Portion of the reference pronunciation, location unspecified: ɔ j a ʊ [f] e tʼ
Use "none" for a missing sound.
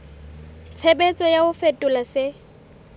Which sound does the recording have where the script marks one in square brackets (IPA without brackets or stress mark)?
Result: f